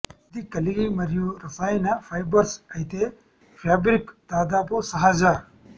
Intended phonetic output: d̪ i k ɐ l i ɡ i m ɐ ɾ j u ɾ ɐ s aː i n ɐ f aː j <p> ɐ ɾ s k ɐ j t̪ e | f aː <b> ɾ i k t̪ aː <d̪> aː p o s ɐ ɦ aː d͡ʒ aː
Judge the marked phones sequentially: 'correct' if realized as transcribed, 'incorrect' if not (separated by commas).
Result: incorrect, correct, correct